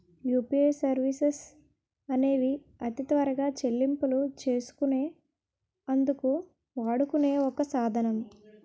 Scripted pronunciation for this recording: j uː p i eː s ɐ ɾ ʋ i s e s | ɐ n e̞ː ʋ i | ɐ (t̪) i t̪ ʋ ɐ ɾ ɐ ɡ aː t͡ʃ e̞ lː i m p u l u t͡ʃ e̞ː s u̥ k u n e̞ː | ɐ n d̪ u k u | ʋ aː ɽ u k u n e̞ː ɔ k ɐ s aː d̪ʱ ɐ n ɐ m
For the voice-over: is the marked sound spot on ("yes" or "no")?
yes